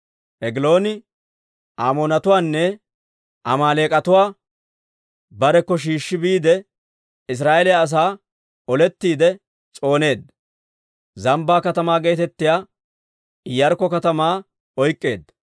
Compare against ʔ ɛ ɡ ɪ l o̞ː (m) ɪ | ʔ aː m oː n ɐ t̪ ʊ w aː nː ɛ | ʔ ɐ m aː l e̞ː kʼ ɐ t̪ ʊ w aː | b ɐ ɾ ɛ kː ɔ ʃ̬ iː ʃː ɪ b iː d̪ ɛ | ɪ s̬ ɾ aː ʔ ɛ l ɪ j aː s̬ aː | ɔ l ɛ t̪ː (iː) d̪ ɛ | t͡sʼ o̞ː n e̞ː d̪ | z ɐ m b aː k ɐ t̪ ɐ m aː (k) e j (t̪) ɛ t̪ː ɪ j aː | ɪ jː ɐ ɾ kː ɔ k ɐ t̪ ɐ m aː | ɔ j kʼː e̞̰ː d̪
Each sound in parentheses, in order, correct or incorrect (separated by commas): incorrect, correct, incorrect, correct